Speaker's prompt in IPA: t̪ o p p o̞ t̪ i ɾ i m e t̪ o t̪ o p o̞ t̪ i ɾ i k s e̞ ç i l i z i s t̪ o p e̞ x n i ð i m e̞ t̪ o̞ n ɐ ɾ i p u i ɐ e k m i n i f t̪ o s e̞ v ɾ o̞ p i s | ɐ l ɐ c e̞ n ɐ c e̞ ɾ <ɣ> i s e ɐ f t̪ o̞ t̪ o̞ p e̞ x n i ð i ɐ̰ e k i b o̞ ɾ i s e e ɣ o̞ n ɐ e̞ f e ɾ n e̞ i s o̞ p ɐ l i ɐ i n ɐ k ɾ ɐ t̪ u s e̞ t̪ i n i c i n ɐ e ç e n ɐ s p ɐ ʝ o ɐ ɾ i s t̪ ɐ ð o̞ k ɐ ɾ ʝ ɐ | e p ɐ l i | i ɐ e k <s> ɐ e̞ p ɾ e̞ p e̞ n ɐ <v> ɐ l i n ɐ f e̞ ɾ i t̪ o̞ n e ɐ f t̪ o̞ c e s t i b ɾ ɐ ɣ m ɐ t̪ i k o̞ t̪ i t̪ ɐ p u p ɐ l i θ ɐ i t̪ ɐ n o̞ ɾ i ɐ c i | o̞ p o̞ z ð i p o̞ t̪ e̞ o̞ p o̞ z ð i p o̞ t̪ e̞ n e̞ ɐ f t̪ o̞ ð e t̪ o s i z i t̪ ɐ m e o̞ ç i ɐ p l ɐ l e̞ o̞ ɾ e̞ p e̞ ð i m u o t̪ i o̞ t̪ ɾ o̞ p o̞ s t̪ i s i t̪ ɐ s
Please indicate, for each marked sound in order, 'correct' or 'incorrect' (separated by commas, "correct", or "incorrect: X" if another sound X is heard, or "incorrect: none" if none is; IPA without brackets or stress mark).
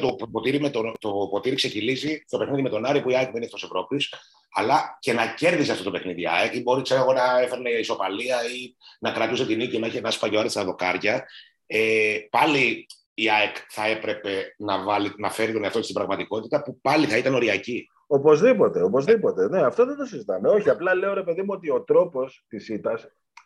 incorrect: ð, incorrect: θ, correct